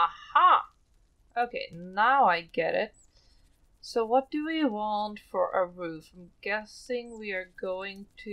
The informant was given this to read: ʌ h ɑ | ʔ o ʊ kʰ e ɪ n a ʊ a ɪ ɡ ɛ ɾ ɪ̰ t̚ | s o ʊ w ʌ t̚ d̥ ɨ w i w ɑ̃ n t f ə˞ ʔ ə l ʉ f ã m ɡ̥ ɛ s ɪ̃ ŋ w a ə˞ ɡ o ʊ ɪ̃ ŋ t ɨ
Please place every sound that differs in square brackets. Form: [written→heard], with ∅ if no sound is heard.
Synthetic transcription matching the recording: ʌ h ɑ | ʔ o ʊ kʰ e ɪ n a ʊ a ɪ ɡ ɛ ɾ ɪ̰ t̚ | s o ʊ w ʌ t̚ d̥ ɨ w i w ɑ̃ n t f ə˞ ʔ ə [l→ɹ] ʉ f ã m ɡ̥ ɛ s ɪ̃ ŋ w [a→i] ə˞ ɡ o ʊ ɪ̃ ŋ [t→tʰ] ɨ

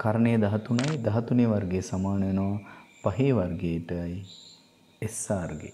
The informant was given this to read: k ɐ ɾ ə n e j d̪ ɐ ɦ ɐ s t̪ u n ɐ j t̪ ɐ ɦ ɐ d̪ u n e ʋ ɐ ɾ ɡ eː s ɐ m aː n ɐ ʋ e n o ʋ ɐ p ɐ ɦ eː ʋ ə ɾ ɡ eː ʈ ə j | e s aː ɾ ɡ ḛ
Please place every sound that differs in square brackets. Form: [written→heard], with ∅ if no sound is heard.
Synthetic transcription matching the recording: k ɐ ɾ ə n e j d̪ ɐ ɦ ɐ [s→∅] t̪ u n ɐ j [t̪→d̪] ɐ ɦ ɐ [d̪→t̪] u n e ʋ ɐ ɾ ɡ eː s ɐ m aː n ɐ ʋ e n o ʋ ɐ p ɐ ɦ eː ʋ [ə→ɐ] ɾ ɡ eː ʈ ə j | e s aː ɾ ɡ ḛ

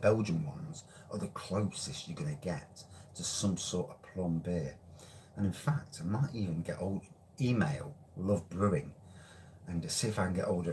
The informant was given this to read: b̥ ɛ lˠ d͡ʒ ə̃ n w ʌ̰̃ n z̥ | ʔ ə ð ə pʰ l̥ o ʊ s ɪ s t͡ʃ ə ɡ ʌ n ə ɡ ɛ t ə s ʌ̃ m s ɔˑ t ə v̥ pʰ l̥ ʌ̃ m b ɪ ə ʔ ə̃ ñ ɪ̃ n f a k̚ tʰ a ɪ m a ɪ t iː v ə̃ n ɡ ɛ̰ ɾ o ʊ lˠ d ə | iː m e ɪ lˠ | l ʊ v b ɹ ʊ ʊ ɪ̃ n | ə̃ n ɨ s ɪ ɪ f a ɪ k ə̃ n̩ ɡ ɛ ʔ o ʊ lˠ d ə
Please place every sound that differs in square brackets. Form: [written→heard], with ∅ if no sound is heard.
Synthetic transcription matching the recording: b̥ ɛ lˠ d͡ʒ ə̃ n w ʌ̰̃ n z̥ | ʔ ə ð ə [pʰ→kʰ] l̥ o ʊ s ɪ s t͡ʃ ə ɡ ʌ n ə ɡ ɛ [t→tʰ] ə s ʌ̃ m s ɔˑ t ə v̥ pʰ l̥ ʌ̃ m b ɪ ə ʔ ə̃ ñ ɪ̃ n f a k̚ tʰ a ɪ m a ɪ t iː v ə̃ n ɡ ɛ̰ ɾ o ʊ lˠ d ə | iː m e ɪ lˠ | l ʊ v b ɹ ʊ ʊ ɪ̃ [n→ŋ] | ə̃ n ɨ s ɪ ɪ f a ɪ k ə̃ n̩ ɡ ɛ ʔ o ʊ lˠ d ə

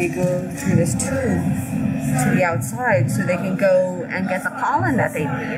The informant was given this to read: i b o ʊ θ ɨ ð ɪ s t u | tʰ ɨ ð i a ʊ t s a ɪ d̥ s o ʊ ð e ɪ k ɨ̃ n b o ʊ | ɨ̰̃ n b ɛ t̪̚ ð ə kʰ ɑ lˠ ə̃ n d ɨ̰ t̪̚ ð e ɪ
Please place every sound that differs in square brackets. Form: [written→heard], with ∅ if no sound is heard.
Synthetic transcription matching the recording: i [b→ɡ] o ʊ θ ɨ ð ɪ s [t→tʰ] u | tʰ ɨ ð i a ʊ t s a ɪ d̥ s o ʊ ð e ɪ k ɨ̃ n [b→ɡ] o ʊ | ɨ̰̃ n [b→ɡ] ɛ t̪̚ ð ə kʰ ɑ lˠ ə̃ n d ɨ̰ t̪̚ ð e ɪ

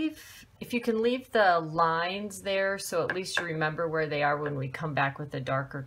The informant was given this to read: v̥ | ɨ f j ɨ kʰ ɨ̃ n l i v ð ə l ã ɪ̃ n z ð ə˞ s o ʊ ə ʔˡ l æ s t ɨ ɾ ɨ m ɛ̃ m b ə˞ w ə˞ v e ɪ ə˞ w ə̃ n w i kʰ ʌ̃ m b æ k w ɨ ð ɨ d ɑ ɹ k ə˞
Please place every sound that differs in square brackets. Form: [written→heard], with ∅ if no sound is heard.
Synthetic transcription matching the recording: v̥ | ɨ f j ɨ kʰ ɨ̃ n l i v ð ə l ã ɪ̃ n z ð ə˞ s o ʊ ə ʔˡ l [æ→i] s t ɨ [ɾ→ɹ] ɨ m ɛ̃ m b ə˞ w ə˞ [v→ð] e ɪ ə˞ w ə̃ n w i kʰ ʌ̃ m b æ k w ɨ ð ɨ d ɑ ɹ k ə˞

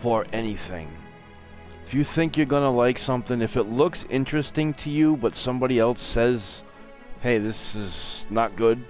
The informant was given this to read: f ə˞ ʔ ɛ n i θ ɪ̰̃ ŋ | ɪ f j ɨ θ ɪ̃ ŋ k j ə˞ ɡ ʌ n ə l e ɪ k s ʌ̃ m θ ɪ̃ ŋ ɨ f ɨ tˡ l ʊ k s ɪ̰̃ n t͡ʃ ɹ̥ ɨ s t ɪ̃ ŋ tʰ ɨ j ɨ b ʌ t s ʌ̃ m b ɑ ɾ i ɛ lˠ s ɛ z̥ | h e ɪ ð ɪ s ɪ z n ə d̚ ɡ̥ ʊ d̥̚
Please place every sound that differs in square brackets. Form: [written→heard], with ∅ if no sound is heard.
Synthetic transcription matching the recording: f ə˞ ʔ ɛ n i θ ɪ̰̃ ŋ | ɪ f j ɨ θ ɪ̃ ŋ k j ə˞ ɡ ʌ n ə l [e→a] ɪ k s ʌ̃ m θ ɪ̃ ŋ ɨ f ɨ tˡ l ʊ k s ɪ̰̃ n t͡ʃ ɹ̥ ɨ s t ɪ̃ ŋ tʰ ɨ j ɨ b ʌ t s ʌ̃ m b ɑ ɾ i ɛ lˠ s ɛ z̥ | h e ɪ ð ɪ s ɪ z n ə [d̚→t̚] ɡ̥ ʊ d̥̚

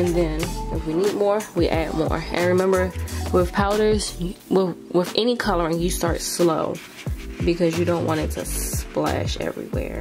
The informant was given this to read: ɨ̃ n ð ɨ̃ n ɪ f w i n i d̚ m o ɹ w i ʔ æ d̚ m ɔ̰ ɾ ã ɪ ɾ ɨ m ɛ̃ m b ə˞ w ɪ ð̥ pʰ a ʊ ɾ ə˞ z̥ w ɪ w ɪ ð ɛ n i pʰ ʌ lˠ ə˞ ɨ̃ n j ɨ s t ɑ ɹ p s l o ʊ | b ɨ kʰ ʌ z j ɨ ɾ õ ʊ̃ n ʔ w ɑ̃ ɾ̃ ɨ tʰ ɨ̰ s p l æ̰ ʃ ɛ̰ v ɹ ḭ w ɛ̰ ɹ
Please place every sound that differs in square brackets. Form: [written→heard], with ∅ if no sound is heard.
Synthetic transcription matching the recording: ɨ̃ n ð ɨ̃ n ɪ f w i n i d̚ m [o→ɔ] ɹ w i ʔ æ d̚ m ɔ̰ [ɾ→ɹ] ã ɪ [ɾ→ɹ] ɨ m ɛ̃ m b ə˞ w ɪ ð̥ pʰ a ʊ ɾ ə˞ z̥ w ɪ w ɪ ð ɛ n i [pʰ→kʰ] ʌ lˠ ə˞ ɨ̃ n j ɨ s t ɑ ɹ [p→t] s l o ʊ | b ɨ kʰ ʌ z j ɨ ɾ õ ʊ̃ n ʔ w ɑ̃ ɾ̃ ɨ tʰ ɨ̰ s p l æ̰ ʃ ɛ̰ v ɹ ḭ w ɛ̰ ɹ

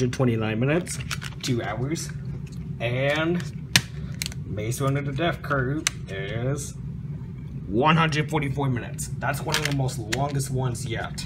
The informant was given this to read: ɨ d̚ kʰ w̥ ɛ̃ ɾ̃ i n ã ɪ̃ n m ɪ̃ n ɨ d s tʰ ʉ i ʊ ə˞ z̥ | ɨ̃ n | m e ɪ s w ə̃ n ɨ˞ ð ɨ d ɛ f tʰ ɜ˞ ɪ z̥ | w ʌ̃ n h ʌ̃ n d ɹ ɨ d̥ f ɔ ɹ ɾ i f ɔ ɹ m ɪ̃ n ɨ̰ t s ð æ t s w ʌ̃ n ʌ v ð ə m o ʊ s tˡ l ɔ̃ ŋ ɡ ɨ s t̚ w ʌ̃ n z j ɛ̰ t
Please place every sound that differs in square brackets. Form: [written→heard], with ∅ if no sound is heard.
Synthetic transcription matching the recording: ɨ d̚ [kʰ→tʰ] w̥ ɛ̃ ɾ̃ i n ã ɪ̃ n m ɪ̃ n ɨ [d→t] s tʰ ʉ [i→a] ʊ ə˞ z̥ | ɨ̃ n | m e ɪ s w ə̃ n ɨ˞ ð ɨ d ɛ f [tʰ→kʰ] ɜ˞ ɪ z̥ | w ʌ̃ n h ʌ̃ n d ɹ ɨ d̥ f ɔ ɹ ɾ i f ɔ ɹ m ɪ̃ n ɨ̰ t s ð æ t s w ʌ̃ n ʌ v ð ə m o ʊ s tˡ l ɔ̃ ŋ ɡ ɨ s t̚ w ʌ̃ n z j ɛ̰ t

